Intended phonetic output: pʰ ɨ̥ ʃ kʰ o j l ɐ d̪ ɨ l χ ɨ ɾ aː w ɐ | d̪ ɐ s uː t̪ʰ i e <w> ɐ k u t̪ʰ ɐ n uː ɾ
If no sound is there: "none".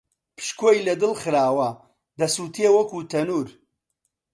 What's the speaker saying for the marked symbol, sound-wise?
w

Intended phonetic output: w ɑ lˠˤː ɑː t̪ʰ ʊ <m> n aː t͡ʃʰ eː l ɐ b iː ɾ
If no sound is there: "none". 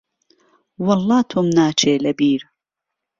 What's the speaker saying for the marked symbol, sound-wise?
m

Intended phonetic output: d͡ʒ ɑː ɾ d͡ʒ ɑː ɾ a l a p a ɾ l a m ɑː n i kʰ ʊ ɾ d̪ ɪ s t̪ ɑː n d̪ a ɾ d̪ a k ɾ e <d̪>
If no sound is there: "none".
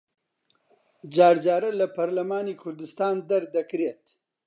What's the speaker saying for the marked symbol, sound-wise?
t̪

